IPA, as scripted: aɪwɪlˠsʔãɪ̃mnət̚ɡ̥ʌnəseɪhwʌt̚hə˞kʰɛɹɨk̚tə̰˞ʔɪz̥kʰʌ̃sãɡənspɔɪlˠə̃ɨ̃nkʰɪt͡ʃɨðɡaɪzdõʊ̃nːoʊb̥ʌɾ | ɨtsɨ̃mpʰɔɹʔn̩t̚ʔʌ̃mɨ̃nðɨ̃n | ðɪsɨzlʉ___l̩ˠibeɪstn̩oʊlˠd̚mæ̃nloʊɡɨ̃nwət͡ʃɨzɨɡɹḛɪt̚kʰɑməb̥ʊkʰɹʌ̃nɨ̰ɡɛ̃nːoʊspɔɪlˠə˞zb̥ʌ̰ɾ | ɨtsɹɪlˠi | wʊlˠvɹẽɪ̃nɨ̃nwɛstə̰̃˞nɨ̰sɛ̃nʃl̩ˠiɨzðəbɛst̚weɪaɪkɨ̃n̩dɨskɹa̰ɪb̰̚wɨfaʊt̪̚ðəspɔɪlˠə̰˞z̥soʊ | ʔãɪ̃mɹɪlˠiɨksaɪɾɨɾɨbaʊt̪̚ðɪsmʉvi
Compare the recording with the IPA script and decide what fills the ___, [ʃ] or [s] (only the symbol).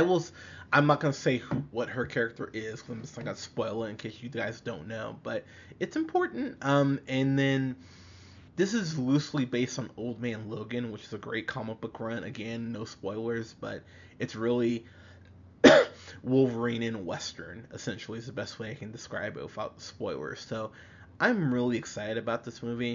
s